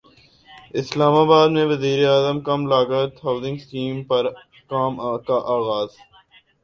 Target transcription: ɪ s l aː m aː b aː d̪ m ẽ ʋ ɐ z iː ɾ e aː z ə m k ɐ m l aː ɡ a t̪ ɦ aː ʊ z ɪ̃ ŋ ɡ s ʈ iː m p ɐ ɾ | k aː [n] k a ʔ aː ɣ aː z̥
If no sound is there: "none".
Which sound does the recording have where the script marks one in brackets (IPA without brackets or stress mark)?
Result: m